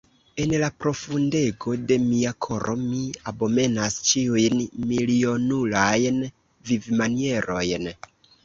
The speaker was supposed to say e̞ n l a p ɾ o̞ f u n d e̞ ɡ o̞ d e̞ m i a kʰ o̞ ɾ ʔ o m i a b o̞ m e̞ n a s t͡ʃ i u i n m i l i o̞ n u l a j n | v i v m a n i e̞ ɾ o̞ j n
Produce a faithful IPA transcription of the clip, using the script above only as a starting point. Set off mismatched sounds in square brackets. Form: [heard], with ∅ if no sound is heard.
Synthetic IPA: e̞ n l a p ɾ o̞ f u n d e̞ ɡ o̞ d e̞ m i a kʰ o̞ ɾ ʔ o m i a b o̞ m e̞ n a s t͡ʃ i u [j] n m i l i o̞ n u l a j n | v i v m a n i e̞ ɾ o̞ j n